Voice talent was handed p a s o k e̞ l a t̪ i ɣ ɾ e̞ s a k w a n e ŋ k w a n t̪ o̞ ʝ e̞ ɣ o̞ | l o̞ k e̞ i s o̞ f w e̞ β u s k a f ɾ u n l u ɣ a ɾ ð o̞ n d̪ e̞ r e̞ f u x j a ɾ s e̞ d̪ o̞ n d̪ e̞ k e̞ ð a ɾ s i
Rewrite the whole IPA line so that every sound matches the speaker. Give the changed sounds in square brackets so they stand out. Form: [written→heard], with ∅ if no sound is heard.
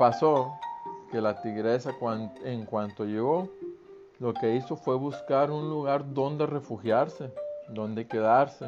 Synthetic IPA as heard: p a s o k e̞ l a t̪ i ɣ ɾ e̞ s a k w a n e ŋ k w a n t̪ o̞ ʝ e̞ ɣ o̞ | l o̞ k e̞ i s o̞ f w e̞ β u s k a [f→∅] ɾ u n l u ɣ a ɾ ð o̞ n d̪ e̞ r e̞ f u x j a ɾ s e̞ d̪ o̞ n d̪ e̞ k e̞ ð a ɾ s [i→e]